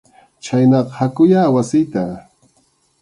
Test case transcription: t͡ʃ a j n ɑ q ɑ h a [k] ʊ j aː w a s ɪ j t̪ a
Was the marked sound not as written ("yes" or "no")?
no